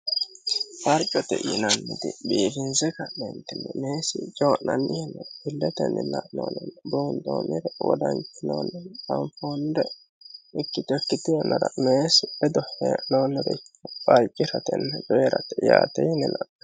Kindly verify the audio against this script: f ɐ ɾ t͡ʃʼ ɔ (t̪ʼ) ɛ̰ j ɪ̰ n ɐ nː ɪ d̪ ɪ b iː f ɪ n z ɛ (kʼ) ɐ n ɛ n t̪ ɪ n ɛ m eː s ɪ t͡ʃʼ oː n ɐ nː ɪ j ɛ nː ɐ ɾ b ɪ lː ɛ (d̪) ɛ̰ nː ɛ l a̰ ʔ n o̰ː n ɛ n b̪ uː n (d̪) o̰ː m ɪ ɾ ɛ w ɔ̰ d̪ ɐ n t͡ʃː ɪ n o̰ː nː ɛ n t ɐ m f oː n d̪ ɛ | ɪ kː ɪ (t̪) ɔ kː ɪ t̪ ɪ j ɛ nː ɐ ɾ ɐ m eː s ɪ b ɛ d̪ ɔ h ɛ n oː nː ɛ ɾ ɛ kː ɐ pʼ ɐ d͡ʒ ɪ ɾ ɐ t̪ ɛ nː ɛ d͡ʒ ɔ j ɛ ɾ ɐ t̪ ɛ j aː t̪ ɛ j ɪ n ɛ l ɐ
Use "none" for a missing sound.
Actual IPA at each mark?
t̪, k, t̪, d̪, t̪

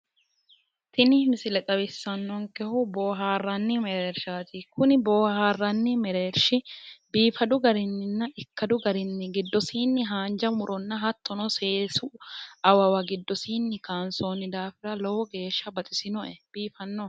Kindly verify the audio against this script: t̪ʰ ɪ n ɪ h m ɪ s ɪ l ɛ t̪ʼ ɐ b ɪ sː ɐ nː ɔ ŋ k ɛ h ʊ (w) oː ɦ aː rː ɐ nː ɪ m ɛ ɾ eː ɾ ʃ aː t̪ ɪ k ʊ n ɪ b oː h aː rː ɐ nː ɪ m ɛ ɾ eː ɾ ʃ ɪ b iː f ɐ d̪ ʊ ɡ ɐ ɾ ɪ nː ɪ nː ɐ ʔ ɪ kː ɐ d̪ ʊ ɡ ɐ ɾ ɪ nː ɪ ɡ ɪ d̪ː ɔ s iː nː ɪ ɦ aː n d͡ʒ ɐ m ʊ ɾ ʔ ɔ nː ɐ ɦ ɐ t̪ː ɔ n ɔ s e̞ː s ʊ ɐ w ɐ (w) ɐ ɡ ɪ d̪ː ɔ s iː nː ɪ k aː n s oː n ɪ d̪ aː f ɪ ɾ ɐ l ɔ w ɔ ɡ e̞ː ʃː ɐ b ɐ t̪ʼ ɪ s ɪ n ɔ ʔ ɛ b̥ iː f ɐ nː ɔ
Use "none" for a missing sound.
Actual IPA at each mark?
b, w

